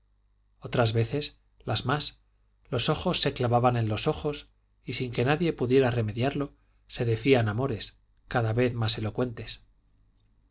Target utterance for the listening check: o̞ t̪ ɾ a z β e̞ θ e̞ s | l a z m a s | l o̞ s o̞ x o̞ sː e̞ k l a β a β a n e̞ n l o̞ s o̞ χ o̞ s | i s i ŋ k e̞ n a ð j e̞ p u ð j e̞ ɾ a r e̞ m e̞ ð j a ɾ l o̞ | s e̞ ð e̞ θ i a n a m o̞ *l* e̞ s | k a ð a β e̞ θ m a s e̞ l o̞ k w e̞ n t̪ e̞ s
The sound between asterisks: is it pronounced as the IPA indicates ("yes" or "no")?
no